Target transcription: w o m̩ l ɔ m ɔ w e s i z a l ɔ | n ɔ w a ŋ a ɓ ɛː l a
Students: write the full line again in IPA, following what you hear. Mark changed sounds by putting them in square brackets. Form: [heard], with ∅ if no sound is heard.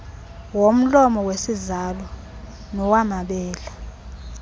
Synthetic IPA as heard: w o m̩ l ɔ m ɔ w e s i z a l ɔ | n ɔ w a [m] a ɓ ɛː l a